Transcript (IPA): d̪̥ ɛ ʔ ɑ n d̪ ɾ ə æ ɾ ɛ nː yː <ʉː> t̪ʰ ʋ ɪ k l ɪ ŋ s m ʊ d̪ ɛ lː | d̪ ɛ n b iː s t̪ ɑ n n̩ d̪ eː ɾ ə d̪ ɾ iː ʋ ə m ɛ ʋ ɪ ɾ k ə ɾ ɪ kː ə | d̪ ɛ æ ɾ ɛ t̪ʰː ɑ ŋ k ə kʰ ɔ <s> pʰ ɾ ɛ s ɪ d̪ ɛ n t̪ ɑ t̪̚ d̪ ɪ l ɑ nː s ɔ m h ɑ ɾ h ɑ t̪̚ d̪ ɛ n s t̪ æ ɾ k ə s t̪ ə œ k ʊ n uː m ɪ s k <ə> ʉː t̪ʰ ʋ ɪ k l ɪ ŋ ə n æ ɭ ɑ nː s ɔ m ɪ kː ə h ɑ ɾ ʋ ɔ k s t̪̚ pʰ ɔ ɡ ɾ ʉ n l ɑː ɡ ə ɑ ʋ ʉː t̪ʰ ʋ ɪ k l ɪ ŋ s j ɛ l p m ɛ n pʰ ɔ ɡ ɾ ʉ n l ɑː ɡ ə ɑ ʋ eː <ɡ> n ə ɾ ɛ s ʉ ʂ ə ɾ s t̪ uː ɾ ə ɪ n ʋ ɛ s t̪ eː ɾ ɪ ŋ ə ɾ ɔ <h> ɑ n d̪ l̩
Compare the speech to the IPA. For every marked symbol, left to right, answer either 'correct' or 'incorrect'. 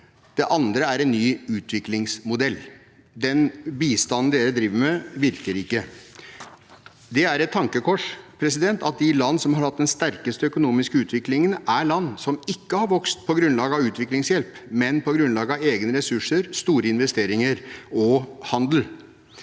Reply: correct, incorrect: ʂ, correct, correct, correct

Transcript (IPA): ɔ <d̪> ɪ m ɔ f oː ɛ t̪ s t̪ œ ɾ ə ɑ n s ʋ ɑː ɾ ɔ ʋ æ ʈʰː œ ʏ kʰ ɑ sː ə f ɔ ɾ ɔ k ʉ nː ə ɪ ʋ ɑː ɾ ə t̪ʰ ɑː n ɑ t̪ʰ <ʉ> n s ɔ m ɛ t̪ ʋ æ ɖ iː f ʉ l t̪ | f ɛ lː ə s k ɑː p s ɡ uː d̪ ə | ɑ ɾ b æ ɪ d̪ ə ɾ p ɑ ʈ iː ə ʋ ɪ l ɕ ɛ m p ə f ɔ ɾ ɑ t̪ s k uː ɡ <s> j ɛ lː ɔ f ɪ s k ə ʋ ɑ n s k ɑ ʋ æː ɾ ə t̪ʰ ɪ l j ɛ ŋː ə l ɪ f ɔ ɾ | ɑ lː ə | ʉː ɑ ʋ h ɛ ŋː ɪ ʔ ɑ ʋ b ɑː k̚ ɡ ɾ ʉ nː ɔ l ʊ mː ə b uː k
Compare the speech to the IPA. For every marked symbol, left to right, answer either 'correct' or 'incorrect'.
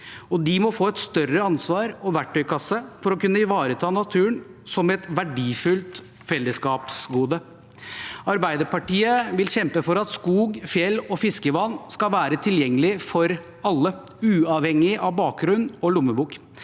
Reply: correct, incorrect: ʉː, incorrect: f

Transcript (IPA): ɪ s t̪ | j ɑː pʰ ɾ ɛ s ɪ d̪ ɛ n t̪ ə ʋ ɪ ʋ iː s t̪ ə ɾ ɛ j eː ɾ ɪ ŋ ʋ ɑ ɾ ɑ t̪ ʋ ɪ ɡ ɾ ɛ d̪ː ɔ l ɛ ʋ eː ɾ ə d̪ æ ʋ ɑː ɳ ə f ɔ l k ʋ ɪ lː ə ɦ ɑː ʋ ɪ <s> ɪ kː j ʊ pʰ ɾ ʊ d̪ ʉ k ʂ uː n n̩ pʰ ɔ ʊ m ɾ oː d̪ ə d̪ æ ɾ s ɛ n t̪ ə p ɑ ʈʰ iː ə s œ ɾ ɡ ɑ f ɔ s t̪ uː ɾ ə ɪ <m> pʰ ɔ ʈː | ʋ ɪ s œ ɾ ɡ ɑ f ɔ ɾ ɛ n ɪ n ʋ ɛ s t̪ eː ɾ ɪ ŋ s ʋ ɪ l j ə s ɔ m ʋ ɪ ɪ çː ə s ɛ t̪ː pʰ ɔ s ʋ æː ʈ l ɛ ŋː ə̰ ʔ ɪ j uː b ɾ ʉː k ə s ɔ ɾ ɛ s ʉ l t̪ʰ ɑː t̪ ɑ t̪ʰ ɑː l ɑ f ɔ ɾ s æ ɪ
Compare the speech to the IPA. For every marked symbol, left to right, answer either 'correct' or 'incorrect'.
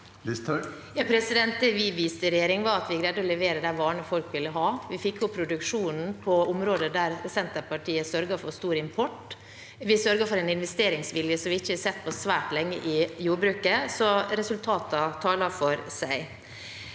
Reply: incorrect: f, correct

